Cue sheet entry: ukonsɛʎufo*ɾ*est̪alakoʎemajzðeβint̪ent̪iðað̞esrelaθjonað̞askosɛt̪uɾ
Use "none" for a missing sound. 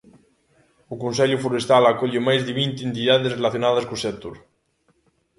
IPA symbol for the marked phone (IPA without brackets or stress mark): ɾ